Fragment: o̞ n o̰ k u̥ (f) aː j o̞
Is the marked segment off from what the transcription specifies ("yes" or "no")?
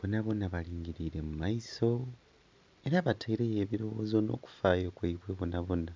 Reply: no